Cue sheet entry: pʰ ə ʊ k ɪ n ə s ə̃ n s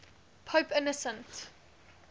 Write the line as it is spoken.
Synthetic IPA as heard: pʰ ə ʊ p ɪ n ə s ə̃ n t